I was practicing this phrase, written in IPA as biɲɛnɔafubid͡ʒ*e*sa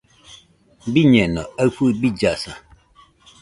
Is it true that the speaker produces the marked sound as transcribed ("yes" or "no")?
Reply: no